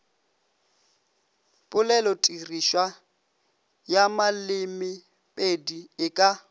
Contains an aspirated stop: no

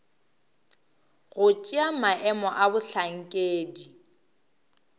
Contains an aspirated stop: no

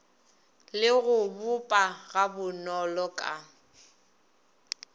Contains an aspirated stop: no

